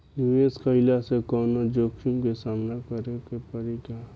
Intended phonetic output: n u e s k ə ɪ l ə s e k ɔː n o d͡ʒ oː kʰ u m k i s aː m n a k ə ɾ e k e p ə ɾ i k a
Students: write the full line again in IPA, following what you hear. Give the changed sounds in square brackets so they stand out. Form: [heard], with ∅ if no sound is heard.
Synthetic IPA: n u e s k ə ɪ l [a] s e k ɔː n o d͡ʒ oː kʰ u m k [e] s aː m n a k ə ɾ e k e p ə ɾ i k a